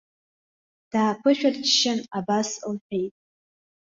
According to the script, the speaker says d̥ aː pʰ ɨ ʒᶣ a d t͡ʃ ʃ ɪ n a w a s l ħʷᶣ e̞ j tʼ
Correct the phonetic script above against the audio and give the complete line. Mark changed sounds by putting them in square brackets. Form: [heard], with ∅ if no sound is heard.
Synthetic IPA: d̥ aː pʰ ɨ [ʃᶣ] a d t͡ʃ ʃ ɪ n a [b] a s l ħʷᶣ e̞ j tʼ